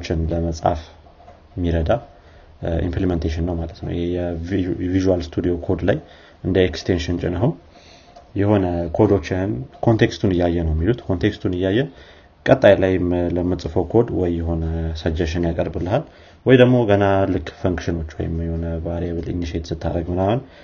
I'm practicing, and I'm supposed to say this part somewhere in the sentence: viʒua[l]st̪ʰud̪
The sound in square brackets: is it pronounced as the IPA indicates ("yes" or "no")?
yes